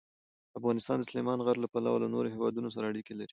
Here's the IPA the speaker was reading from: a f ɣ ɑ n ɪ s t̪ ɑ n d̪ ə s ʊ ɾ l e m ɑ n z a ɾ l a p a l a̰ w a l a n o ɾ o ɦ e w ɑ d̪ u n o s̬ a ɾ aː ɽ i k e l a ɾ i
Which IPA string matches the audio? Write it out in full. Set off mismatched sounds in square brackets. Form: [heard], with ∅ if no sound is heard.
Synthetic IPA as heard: a f ɣ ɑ n ɪ s t̪ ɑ n d̪ ə s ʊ [∅] l e m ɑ n [ɣ] a ɾ l a p a l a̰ w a l a n o ɾ o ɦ e w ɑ d̪ u n o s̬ a ɾ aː ɽ i k e l a ɾ i